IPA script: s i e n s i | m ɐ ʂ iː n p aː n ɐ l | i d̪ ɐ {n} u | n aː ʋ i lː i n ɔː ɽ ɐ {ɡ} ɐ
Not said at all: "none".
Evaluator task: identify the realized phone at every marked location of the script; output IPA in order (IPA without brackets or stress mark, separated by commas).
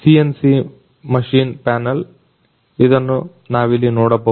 nː, b